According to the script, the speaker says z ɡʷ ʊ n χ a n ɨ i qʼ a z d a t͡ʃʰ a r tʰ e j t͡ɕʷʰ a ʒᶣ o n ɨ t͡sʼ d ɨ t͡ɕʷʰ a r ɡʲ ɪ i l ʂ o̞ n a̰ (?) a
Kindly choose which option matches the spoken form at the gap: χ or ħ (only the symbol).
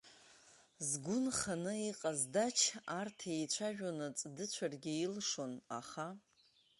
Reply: χ